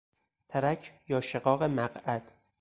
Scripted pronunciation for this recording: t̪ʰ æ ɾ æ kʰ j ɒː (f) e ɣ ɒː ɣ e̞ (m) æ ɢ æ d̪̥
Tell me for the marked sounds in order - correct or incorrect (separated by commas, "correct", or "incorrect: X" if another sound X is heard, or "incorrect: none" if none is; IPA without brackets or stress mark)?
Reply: incorrect: ʃ, correct